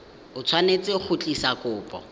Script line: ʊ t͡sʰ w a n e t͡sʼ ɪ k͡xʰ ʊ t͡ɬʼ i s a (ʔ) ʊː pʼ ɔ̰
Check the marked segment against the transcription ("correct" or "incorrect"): incorrect